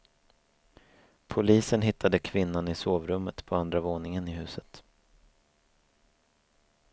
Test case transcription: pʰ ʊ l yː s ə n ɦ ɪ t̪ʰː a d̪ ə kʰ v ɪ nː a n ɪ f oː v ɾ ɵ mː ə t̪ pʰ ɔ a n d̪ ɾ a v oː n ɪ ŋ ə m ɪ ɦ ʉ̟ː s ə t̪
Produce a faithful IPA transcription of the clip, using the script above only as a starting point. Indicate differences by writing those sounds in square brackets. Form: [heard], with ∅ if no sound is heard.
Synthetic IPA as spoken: pʰ ʊ l [iː] s ə n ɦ ɪ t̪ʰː a d̪ ə kʰ v ɪ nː a n ɪ [s] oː v ɾ ɵ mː ə t̪ pʰ ɔ a n d̪ ɾ a v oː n ɪ ŋ ə [n] ɪ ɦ ʉ̟ː s ə t̪

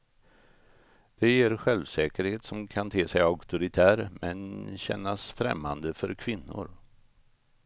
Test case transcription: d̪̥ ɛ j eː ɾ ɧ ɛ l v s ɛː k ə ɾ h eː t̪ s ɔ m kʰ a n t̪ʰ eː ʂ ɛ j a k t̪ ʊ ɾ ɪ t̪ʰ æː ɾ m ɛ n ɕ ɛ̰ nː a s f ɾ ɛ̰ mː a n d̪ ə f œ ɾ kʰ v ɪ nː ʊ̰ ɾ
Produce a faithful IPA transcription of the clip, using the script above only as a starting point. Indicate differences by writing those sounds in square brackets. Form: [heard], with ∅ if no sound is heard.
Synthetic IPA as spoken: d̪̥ ɛ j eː ɾ ɧ ɛ l v s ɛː k ə ɾ h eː t̪ s ɔ m kʰ a n t̪ʰ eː [s] ɛ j a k t̪ ʊ ɾ ɪ t̪ʰ æː ɾ m ɛ n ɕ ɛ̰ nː a s f ɾ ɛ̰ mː a n d̪ ə f œ ɾ kʰ v ɪ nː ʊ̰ ɾ

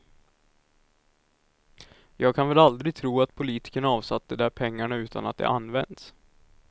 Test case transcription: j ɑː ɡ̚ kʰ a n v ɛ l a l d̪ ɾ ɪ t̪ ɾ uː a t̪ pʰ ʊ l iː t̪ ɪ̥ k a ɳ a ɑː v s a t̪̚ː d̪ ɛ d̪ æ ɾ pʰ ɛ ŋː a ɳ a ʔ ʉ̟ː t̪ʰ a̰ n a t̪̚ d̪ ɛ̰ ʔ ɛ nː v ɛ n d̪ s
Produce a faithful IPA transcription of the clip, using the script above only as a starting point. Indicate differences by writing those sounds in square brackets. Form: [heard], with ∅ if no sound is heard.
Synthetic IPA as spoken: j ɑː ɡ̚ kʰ a n v ɛ l a l d̪ ɾ ɪ [t̪ʰ] ɾ uː a t̪ pʰ ʊ l iː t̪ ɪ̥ k [ə] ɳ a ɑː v s a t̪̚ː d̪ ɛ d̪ æ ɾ pʰ ɛ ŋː a ɳ a [∅] ʉ̟ː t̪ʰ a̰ n a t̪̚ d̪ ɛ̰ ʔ [a] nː v ɛ n d̪ s

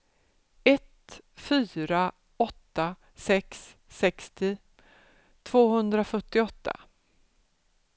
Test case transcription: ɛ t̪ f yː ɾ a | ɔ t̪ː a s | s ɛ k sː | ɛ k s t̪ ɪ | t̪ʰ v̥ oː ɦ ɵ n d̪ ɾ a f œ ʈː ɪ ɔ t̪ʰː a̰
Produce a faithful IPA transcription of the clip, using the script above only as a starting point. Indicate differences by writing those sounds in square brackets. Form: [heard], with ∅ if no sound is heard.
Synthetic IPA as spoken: ɛ t̪ f yː ɾ a | ɔ t̪ː a [∅] | s ɛ k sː | ɛ k s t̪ ɪ | t̪ʰ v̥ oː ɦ ɵ n d̪ ɾ a f œ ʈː ɪ ɔ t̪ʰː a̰

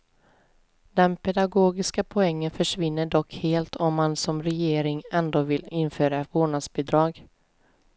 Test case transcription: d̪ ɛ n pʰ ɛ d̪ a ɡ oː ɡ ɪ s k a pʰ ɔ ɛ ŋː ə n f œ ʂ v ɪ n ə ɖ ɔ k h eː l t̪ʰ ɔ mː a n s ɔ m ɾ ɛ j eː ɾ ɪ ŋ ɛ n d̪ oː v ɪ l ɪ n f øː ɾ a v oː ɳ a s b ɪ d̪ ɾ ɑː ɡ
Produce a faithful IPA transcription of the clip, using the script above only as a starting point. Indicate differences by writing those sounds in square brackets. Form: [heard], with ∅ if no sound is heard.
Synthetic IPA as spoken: d̪ ɛ n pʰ ɛ d̪ a ɡ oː ɡ ɪ s k a pʰ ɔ ɛ ŋː ə n f œ ʂ v ɪ [nː] ə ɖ ɔ k h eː l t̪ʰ ɔ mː a n s ɔ m ɾ ɛ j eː ɾ ɪ ŋ ɛ n d̪ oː v ɪ l ɪ n f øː ɾ a v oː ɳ a s b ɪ d̪ ɾ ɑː ɡ

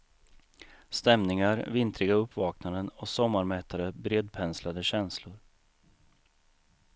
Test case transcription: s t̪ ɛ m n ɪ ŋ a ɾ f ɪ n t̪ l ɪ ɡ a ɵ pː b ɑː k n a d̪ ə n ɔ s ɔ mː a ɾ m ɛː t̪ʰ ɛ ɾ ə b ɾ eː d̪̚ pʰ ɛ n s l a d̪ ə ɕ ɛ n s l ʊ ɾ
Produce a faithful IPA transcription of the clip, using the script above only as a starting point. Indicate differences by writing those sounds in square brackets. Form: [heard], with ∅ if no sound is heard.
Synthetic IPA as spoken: s t̪ ɛ m n ɪ ŋ a ɾ [v] ɪ n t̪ [ɾ] ɪ ɡ a ɵ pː [v] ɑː k n a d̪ ə n ɔ s ɔ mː a ɾ m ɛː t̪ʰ [a] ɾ ə b ɾ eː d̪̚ pʰ ɛ n s l a d̪ ə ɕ ɛ n s l ʊ ɾ

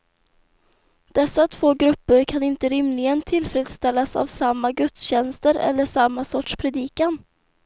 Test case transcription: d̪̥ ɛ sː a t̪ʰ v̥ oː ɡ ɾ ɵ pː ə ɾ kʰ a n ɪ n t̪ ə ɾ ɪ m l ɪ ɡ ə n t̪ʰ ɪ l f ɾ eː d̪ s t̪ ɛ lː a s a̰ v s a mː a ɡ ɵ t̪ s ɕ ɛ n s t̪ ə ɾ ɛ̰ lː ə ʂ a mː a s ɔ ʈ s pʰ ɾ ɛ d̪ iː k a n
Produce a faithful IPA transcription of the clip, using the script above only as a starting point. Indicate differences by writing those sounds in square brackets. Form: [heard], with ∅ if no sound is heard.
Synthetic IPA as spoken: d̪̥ ɛ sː a t̪ʰ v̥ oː ɡ ɾ ɵ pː ə ɾ kʰ a n ɪ n t̪ ə ɾ ɪ m l ɪ ɡ ə n t̪ʰ ɪ l f ɾ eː d̪ s t̪ ɛ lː a s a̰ v s a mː a ɡ ɵ t̪ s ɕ ɛ n s t̪ ə ɾ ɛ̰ lː ə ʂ a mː a s ɔ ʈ [ʂ] pʰ ɾ ɛ d̪ iː k a n

